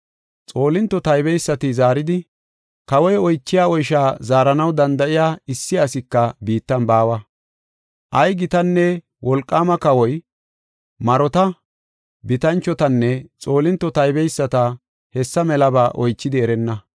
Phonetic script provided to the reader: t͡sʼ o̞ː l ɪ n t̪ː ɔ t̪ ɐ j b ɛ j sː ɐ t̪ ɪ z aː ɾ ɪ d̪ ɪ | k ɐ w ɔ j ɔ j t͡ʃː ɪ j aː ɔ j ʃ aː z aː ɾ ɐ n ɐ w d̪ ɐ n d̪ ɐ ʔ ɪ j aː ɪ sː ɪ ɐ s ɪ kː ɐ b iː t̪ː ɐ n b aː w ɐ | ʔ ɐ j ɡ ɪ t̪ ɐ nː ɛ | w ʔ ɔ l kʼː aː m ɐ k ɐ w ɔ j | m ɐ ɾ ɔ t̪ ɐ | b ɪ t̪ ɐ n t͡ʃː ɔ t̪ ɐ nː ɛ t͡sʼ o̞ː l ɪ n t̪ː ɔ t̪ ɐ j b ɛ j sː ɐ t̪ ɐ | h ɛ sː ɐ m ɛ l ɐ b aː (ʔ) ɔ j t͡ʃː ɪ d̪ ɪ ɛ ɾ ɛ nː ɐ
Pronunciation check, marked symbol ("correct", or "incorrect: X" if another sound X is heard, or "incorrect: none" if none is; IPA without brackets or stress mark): correct